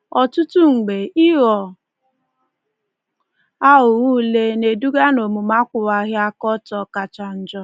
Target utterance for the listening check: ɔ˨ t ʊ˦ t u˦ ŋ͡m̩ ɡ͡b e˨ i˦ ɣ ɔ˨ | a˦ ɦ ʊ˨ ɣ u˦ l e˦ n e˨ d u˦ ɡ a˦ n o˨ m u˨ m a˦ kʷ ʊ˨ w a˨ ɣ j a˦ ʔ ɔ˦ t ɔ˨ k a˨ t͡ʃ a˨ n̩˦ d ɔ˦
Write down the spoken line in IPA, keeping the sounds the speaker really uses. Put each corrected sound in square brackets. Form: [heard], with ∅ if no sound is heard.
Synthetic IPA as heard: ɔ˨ t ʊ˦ t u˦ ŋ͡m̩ ɡ͡b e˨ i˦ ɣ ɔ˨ | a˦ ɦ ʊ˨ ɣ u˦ l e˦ n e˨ d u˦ ɡ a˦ n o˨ m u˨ m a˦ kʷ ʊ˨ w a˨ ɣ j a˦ [k] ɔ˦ t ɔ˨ k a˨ t͡ʃ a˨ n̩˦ [d͡ʒ] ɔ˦